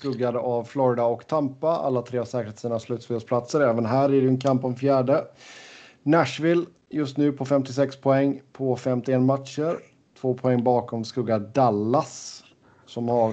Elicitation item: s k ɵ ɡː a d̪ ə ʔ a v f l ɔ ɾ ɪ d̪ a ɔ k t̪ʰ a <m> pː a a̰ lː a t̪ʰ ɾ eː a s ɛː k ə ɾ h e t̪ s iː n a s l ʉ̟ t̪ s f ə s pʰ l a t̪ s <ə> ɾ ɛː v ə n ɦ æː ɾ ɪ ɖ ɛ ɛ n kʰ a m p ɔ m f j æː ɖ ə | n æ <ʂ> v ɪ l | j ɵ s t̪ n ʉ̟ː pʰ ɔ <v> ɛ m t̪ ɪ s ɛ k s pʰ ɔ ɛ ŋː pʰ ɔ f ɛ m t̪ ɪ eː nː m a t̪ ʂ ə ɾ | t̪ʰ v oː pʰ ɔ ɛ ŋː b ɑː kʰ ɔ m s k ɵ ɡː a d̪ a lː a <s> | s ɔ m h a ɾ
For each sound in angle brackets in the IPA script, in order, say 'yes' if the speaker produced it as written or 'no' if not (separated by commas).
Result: yes, yes, yes, no, yes